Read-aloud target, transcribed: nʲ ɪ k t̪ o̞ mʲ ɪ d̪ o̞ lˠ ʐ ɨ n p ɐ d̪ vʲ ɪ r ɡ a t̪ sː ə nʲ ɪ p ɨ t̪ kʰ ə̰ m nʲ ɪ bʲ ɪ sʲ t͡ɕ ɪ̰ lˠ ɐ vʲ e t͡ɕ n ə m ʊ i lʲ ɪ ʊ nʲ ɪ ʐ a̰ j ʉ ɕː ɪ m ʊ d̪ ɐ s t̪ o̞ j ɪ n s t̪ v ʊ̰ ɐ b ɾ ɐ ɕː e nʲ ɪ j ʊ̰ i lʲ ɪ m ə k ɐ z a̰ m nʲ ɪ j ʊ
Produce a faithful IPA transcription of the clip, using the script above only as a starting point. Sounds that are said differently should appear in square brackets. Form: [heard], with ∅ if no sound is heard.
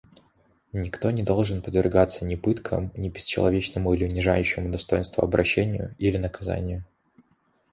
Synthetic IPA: nʲ ɪ k t̪ o̞ [nʲ] ɪ d̪ o̞ lˠ ʐ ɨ n p [ə] d̪ vʲ ɪ r ɡ a t̪ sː ə nʲ ɪ p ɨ t̪ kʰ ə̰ m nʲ ɪ bʲ ɪ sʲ t͡ɕ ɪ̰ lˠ ɐ vʲ e t͡ɕ n ə m ʊ i lʲ ɪ ʊ nʲ ɪ ʐ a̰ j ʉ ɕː ɪ m ʊ d̪ ɐ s t̪ o̞ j ɪ n s t̪ v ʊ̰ ɐ b ɾ ɐ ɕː e nʲ ɪ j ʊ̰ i lʲ ɪ [n] ə k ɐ z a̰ [∅] nʲ ɪ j ʊ

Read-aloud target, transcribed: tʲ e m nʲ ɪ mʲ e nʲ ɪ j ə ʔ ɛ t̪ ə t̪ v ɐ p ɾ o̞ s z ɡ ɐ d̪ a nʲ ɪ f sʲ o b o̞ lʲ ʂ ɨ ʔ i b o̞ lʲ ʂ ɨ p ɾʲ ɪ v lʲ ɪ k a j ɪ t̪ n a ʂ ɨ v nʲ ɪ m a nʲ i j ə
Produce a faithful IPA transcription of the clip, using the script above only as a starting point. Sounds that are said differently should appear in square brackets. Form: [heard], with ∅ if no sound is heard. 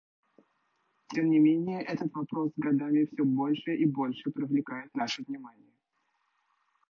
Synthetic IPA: tʲ e m nʲ ɪ mʲ e nʲ ɪ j ə ʔ ɛ t̪ ə t̪ v ɐ p ɾ o̞ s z ɡ ɐ d̪ a [mʲ] ɪ f sʲ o b o̞ lʲ ʂ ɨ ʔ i b o̞ lʲ ʂ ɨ p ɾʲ ɪ v lʲ ɪ k a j ɪ t̪ n a ʂ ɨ v nʲ ɪ m a nʲ [ɪ] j ə

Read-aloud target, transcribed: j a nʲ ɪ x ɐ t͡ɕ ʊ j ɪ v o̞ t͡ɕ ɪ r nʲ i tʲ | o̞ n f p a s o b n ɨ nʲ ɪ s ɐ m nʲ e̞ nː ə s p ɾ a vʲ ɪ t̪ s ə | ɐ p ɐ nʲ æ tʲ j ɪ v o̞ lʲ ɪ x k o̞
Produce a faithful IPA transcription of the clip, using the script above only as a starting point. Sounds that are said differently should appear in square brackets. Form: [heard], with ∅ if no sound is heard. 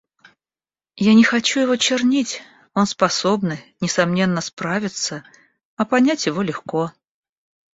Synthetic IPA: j a nʲ ɪ x ɐ t͡ɕ [u] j ɪ v o̞ t͡ɕ ɪ r nʲ i tʲ | o̞ n [s] p [ɐ] s o b n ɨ nʲ ɪ s ɐ m nʲ e̞ nː ə s p ɾ a vʲ ɪ t̪ s ə | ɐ p ɐ nʲ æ tʲ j ɪ v o̞ lʲ ɪ x k o̞

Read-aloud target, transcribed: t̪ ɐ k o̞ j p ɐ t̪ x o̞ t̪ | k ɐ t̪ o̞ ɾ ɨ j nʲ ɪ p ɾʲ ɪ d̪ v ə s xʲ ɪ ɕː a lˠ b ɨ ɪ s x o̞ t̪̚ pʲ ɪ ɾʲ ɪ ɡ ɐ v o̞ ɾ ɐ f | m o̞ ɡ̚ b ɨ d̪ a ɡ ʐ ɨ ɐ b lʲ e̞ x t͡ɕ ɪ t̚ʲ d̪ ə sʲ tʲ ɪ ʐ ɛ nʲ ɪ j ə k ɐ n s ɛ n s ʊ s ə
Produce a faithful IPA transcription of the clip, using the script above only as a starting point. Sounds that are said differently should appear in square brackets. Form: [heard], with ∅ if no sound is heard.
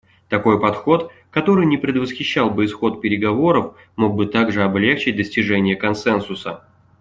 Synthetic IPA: t̪ ɐ k o̞ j p ɐ t̪ x o̞ t̪ | k ɐ t̪ o̞ ɾ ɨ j nʲ ɪ p ɾʲ ɪ d̪ v ə s xʲ ɪ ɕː a lˠ b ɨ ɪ s x o̞ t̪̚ pʲ ɪ ɾʲ ɪ ɡ ɐ v o̞ ɾ [ə] f | m o̞ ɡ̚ b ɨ [t̪] a ɡ ʐ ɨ ɐ b lʲ e̞ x t͡ɕ ɪ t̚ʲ d̪ ə sʲ tʲ ɪ ʐ ɛ nʲ ɪ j ə k ɐ n s ɛ n s ʊ s ə

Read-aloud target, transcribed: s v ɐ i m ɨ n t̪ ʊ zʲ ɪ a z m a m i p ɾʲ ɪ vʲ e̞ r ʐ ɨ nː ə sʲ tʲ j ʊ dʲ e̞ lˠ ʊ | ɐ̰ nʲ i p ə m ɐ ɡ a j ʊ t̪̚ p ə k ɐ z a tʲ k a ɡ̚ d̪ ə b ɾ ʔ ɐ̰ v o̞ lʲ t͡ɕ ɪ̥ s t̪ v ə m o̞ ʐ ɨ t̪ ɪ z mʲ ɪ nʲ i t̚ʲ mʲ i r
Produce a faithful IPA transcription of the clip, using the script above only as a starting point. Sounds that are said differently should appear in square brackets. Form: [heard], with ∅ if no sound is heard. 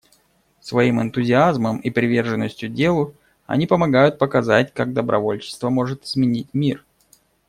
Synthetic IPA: s v ɐ i m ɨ n t̪ ʊ zʲ ɪ a z m [ə] m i p ɾʲ ɪ vʲ e̞ r ʐ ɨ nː ə sʲ tʲ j ʊ dʲ e̞ lˠ ʊ | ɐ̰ nʲ i p ə m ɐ ɡ a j ʊ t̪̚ p ə k ɐ z a tʲ k a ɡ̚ d̪ ə b ɾ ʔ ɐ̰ v o̞ lʲ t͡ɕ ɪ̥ s t̪ v ə m o̞ ʐ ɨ t̪ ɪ z mʲ ɪ nʲ i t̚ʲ mʲ i r

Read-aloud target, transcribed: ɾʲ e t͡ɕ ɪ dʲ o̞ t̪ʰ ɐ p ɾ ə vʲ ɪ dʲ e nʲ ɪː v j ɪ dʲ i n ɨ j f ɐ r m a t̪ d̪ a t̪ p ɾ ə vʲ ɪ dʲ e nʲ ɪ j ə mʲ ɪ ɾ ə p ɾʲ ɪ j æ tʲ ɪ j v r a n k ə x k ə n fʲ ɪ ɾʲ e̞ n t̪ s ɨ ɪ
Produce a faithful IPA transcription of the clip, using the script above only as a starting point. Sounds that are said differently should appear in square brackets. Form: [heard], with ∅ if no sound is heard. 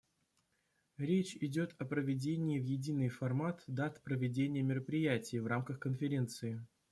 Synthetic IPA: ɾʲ e t͡ɕ ɪ dʲ o̞ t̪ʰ ɐ p ɾ ə vʲ ɪ dʲ e nʲ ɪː v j ɪ dʲ i n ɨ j f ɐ r m a t̪ d̪ a t̪ p ɾ ə vʲ ɪ dʲ e nʲ ɪ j ə mʲ ɪ ɾ ə p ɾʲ ɪ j æ tʲ ɪ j v r a [m] k ə x k ə n fʲ ɪ ɾʲ e̞ n t̪ s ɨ ɪ

